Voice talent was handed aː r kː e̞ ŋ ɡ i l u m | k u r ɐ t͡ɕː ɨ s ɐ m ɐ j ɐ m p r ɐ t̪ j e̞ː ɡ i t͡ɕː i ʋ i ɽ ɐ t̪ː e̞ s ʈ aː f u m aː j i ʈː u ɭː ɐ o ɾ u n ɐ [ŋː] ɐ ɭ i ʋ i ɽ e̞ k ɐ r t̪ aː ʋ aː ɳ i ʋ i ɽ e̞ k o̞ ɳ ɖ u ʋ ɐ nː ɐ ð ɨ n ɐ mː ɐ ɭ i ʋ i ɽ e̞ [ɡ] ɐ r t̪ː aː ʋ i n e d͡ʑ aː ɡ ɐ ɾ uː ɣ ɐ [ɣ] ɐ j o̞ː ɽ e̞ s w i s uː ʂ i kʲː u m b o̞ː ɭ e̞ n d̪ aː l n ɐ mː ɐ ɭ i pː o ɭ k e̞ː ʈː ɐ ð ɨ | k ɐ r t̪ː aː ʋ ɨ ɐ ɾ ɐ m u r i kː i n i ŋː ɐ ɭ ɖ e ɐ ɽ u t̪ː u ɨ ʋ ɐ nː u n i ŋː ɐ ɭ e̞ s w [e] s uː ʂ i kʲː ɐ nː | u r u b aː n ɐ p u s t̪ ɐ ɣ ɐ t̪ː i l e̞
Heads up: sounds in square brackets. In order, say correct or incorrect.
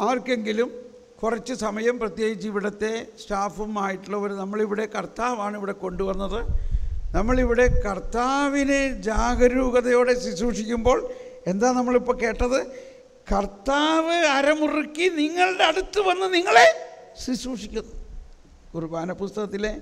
incorrect: mː, incorrect: k, incorrect: ð, incorrect: i

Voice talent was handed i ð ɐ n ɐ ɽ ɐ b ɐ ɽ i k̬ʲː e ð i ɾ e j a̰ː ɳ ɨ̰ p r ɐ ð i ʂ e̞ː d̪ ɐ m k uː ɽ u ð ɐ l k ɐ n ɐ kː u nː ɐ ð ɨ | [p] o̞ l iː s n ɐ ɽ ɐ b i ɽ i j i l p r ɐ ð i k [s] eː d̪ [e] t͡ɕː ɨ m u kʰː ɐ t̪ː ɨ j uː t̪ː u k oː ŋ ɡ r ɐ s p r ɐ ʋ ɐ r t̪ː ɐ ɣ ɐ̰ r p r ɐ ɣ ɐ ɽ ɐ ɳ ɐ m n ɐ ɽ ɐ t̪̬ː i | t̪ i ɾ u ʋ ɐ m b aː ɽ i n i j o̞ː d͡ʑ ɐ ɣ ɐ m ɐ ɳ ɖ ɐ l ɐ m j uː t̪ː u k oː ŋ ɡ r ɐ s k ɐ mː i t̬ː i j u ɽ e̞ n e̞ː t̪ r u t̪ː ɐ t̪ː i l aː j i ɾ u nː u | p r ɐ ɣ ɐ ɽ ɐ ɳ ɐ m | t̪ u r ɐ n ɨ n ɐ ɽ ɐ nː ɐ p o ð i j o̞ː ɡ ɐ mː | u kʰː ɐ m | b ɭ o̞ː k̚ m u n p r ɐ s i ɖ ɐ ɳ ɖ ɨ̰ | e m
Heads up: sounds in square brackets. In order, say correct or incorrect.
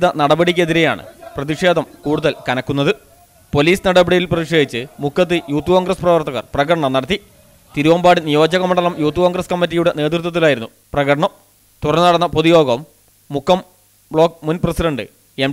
correct, incorrect: ʂ, incorrect: i

